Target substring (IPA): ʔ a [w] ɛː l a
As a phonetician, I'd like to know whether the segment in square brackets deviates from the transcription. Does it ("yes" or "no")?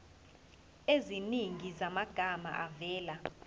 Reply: yes